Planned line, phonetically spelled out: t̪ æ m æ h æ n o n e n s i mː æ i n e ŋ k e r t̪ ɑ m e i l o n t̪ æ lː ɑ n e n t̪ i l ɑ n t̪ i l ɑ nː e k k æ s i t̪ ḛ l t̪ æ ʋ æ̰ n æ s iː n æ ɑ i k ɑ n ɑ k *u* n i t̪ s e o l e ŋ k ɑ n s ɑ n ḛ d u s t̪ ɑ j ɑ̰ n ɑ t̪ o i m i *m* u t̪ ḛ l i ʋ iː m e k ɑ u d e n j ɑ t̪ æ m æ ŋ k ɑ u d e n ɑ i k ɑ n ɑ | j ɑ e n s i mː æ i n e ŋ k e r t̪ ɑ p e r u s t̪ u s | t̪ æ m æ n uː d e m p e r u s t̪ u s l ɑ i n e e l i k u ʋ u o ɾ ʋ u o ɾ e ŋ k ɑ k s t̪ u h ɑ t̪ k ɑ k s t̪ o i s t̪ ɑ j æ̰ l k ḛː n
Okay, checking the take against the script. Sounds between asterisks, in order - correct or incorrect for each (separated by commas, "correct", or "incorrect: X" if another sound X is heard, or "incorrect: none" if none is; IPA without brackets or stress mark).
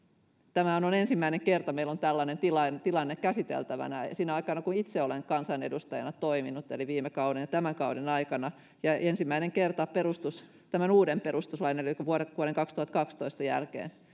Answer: correct, incorrect: n